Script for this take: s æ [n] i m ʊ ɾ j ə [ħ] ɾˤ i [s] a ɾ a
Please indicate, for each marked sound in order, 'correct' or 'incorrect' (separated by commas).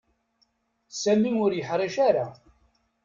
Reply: incorrect, correct, incorrect